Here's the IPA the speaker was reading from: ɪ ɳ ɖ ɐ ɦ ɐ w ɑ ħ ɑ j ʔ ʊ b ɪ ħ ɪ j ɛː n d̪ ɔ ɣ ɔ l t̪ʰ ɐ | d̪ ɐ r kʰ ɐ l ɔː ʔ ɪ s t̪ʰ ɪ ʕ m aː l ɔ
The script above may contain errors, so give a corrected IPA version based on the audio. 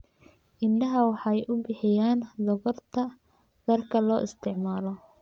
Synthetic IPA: ɪ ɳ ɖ ɐ ɦ ɐ w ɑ ħ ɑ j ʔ ʊ b ɪ ħ ɪ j aː n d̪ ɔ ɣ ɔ r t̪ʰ ɐ | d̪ ɐ r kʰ ɐ l ɔː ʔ ɪ s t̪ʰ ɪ ʕ m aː l ɔ

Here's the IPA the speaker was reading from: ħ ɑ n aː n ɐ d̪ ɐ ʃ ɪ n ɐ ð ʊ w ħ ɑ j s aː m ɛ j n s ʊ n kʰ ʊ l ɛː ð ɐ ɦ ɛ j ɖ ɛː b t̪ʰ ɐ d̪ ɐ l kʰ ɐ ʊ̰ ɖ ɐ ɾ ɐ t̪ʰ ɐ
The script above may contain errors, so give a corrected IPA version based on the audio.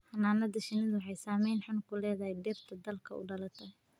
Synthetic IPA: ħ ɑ n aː n ɐ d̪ ɐ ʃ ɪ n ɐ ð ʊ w ħ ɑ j s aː m ɛ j n ħ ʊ n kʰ ʊ l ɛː ð ɐ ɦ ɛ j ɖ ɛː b t̪ʰ ɐ d̪ ɐ l kʰ ɐ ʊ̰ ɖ ɐ l ɐ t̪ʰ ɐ

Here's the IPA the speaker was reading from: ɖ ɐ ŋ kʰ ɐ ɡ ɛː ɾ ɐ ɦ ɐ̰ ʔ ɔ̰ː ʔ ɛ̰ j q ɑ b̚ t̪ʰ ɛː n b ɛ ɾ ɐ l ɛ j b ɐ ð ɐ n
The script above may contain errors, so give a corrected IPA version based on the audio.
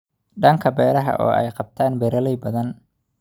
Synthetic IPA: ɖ ɐ ŋ kʰ ɐ b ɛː ɾ ɐ ɦ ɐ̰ ʔ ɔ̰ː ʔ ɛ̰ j q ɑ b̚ t̪ʰ aː n b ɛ ɾ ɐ l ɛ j b ɐ ð ɐ n

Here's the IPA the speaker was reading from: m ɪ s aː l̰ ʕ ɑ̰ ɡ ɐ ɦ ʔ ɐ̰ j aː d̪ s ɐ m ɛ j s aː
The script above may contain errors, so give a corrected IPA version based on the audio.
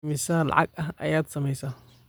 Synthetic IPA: m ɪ s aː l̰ ʕ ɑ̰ ɡ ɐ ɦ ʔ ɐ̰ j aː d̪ s ɐ m ɛ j s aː

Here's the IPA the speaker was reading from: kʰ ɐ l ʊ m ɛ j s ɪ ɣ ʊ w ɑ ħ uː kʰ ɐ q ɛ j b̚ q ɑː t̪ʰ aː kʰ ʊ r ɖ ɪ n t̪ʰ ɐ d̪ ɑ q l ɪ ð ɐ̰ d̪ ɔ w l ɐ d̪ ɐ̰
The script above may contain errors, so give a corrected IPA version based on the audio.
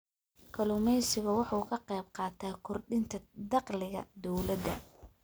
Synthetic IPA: kʰ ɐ l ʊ m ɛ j s ɪ ɣ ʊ w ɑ ħ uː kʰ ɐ q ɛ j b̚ q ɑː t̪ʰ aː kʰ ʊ r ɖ ɪ n t̪ʰ ɐ d̪ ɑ q l ɪ ɣ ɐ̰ d̪ ɔ w l ɐ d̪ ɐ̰

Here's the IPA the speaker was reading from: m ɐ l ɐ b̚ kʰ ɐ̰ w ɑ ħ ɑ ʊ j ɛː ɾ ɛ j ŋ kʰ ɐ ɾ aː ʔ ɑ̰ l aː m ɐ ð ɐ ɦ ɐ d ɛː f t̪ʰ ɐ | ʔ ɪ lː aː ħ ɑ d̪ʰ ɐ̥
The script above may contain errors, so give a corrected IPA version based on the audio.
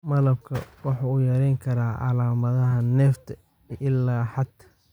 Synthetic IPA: m ɐ l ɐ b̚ kʰ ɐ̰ w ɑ ħ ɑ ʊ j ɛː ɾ ɛ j ŋ kʰ ɐ ɾ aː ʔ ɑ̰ l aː m ɐ ð ɐ ɦ ɐ n ɛː f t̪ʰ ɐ | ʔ ɪ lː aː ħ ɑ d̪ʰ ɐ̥

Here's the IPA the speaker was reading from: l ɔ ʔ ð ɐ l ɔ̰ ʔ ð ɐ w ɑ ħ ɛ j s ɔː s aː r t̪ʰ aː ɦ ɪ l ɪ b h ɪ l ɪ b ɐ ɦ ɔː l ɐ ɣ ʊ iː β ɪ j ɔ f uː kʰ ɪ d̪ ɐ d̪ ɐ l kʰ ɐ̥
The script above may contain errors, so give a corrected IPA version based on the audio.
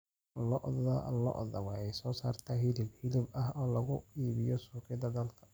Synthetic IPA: l ɔ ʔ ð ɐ l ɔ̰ ʔ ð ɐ w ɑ ħ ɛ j s ɔː s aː r t̪ʰ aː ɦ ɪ l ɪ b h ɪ l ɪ b ɐ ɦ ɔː l ɐ ɣ ʊ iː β ɪ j ɔ s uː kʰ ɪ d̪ ɐ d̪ ɐ l kʰ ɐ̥

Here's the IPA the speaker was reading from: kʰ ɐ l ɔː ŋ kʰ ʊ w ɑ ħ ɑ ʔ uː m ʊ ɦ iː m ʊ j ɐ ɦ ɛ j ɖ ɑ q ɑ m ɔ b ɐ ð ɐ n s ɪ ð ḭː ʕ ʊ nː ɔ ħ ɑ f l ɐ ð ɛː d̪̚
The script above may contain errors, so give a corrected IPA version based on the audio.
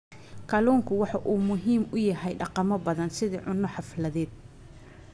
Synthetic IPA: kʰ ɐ l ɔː ŋ kʰ ʊ w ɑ ħ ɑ ʔ uː m ʊ ɦ iː m ʊ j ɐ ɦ ɛ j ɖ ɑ q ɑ m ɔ b ɐ ð ɐ n s ɪ ð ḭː ʕ ʊ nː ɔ ħ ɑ f l ɐ ð ɛː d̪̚

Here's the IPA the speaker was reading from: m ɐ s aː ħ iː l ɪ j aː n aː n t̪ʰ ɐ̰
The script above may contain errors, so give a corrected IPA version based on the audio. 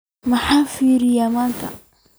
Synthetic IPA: m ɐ ħ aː f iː ɾ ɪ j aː m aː n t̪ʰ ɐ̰

